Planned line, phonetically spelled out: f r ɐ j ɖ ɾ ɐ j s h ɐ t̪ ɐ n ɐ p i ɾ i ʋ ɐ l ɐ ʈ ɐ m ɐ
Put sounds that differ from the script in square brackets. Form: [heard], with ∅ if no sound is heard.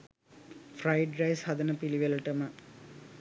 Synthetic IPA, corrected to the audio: f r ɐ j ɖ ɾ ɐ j s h ɐ [d̪] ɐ n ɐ p i [l] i ʋ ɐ l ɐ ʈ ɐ m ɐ